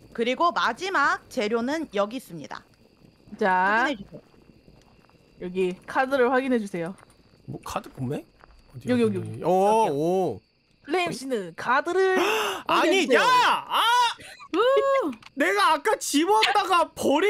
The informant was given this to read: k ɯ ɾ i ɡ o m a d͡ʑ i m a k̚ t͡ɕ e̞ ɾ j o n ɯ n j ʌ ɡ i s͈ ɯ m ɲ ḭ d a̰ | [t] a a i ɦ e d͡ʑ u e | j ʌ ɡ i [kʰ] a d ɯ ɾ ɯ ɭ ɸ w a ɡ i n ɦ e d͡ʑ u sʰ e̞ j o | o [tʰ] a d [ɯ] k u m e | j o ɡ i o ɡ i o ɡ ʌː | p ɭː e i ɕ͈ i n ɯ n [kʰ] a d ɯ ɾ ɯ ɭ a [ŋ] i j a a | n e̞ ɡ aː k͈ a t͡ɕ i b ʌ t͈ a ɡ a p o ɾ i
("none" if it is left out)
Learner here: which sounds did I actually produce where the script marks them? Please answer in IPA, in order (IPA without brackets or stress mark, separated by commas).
t͡ɕ, kʰ, kʰ, ɯ, kʰ, ɲ